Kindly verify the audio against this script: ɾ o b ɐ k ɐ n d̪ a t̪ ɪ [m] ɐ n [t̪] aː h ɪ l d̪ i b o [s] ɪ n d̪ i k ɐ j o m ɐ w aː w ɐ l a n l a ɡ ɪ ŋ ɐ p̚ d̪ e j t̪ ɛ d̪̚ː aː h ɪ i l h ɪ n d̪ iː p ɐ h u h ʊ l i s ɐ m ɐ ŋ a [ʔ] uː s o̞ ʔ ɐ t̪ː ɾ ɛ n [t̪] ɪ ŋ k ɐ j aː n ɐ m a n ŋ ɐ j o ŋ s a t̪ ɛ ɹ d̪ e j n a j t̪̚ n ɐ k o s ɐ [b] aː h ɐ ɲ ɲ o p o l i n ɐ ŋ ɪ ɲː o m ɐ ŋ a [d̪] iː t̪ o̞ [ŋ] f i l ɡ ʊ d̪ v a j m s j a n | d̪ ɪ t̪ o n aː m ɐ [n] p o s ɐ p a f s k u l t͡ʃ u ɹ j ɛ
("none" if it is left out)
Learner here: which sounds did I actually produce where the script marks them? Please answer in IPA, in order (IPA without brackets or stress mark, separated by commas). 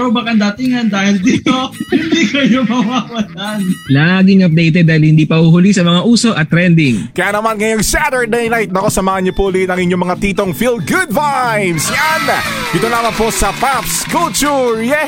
ŋ, d̪, h, ʔ, d̪, m, t̪, ŋ, n